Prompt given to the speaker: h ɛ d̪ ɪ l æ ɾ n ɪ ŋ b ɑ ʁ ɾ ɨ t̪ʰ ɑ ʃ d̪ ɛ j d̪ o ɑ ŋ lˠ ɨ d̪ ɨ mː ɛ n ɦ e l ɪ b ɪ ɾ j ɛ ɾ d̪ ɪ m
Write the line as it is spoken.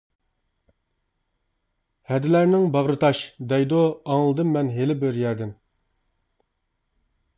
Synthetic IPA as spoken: h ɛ d̪ ɪ l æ ɾ n ɪ ŋ b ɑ ʁ ɾ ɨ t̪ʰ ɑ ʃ d̪ ɛ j d̪ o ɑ ŋ lˠ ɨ d̪ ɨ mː ɛ n ɦ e l ɪ b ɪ ɾ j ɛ ɾ d̪ ɪ m

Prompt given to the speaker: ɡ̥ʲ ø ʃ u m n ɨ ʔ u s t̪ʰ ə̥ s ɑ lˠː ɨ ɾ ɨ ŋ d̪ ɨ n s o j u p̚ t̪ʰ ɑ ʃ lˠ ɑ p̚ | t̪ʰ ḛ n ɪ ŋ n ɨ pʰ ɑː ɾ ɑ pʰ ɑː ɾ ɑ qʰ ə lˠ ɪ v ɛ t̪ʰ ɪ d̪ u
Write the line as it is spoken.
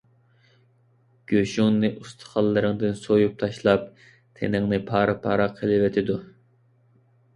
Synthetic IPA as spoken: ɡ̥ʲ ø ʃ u ŋ n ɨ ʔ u s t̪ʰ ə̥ χ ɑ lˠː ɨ ɾ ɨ ŋ d̪ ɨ n s o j u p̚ t̪ʰ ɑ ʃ lˠ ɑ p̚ | t̪ʰ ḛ n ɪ ŋ n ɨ pʰ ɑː ɾ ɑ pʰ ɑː ɾ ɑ qʰ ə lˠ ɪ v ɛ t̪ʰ ɪ d̪ u

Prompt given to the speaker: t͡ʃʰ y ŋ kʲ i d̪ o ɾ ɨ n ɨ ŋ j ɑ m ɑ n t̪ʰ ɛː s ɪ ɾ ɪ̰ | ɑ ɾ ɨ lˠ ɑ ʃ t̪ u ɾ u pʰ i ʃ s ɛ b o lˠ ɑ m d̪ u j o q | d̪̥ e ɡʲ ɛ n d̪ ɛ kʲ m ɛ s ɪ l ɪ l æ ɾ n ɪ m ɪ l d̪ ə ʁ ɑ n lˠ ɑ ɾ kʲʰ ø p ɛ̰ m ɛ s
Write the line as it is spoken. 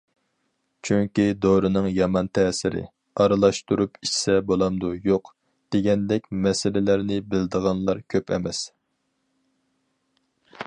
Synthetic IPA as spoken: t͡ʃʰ y ŋ kʲ i d̪ o ɾ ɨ n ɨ ŋ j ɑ m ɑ n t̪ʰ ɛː s ɪ ɾ ɪ̰ | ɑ ɾ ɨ lˠ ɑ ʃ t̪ u ɾ u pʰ i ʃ s ɛ b o lˠ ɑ m d̪ u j o q | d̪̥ e ɡʲ ɛ n d̪ ɛ kʲ m ɛ s ɪ l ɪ l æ ɾ n ɪ b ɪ l d̪ ə ʁ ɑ n lˠ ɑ ɾ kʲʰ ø p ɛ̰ m ɛ s

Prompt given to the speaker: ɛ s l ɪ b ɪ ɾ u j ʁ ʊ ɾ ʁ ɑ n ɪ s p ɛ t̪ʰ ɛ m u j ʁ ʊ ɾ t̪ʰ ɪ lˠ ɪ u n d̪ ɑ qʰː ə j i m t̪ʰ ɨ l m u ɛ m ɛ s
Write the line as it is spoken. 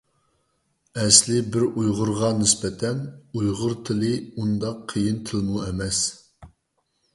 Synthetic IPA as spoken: ɛ s l ɪ b ɪ ɾ u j ʁ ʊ ɾ ʁ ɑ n ɪ s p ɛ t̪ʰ ɛ n u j ʁ ʊ ɾ t̪ʰ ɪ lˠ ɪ u n d̪ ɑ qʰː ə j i n t̪ʰ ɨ l m u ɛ m ɛ s

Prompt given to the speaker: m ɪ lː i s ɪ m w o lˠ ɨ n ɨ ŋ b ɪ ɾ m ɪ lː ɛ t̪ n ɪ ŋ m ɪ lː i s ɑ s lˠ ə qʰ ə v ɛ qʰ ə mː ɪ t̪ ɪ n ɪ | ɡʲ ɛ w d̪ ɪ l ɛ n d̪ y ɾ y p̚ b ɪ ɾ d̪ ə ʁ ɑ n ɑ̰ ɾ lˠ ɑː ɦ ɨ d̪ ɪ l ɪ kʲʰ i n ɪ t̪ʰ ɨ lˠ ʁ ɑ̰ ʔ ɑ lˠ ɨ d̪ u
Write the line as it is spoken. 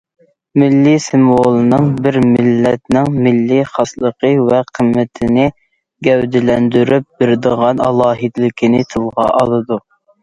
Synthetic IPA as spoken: m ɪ lː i s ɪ m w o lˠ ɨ n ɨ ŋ b ɪ ɾ m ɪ lː ɛ t̪ n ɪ ŋ m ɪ lː i χ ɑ s lˠ ə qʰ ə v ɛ qʰ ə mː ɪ t̪ʰ ɪ n ɪ | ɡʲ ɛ w d̪ ɪ l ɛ n d̪ y ɾ y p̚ b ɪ ɾ d̪ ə ʁ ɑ n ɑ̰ lˠ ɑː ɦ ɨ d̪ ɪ l ɪ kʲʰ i n ɪ t̪ʰ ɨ lˠ ʁ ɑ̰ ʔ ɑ lˠ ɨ d̪ u

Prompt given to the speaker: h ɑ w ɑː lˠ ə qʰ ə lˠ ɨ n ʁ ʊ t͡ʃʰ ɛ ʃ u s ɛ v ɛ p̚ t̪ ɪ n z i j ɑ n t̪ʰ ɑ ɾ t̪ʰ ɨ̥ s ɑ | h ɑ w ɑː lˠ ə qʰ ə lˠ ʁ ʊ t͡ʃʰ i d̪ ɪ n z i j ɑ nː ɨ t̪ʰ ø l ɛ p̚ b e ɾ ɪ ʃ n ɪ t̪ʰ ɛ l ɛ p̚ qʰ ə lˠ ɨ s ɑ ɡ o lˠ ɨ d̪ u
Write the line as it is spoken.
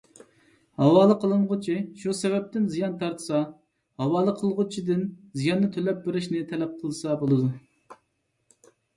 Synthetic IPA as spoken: h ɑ w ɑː lˠ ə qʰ ə lˠ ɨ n ʁ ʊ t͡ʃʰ i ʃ u s ɛ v ɛ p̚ t̪ ɪ n z i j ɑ n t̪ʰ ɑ ɾ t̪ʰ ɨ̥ s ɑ | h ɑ w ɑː lˠ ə qʰ ə lˠ ʁ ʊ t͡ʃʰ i d̪ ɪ n z i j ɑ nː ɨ t̪ʰ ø l ɛ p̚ b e ɾ ɪ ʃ n ɪ t̪ʰ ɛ l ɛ p̚ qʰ ə lˠ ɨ s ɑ b o lˠ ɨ d̪ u

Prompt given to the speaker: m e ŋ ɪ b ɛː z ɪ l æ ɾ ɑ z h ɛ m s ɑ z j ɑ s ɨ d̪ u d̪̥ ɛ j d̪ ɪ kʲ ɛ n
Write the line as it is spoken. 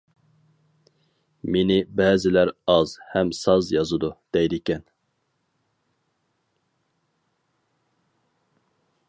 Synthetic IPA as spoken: m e n ɪ b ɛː z ɪ l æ ɾ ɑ z h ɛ m s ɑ z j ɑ z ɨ d̪ u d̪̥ ɛ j d̪ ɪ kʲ ɛ n

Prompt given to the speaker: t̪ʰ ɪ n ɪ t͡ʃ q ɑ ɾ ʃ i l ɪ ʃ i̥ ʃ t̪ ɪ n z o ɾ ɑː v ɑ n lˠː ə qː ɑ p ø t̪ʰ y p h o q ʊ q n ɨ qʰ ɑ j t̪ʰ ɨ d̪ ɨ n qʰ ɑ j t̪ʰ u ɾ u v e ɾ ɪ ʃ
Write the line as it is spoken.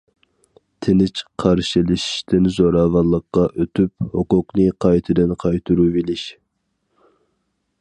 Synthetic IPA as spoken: t̪ʰ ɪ n ɪ t͡ʃ qʰ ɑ ɾ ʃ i l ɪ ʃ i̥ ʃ t̪ ɪ n z o ɾ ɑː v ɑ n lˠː ə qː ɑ ʔ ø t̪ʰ y p h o q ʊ q n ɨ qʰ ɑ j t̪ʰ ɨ d̪ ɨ n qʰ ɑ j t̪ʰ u ɾ u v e l ɪ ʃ

